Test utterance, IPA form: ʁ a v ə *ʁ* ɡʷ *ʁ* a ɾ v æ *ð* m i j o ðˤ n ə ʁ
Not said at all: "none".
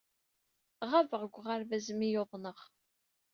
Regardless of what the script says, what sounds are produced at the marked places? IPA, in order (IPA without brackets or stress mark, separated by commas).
ʁ, ʁ, z